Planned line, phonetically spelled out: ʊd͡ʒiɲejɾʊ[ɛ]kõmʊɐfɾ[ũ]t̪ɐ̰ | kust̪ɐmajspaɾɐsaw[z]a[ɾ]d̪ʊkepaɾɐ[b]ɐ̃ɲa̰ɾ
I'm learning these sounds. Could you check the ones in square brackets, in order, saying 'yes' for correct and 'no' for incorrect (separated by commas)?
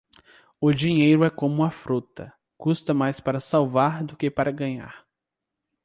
yes, no, no, yes, no